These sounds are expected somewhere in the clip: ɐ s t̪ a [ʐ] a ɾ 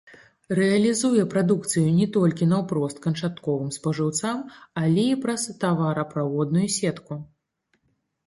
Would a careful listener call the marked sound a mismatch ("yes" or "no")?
yes